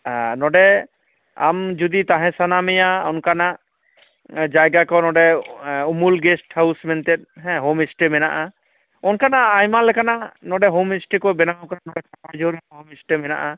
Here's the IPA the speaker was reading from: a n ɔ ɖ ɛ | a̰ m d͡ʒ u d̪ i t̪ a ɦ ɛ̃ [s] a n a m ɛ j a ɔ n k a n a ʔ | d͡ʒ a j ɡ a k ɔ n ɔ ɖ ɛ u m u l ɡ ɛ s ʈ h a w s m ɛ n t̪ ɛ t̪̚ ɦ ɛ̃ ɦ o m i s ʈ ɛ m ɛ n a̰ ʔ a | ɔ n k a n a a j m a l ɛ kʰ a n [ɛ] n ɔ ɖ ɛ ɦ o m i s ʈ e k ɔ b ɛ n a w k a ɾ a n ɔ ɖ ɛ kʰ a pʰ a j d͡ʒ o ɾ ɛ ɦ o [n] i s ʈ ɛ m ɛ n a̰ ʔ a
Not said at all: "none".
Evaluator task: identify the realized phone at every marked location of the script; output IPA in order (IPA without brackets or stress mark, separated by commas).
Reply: s, a, m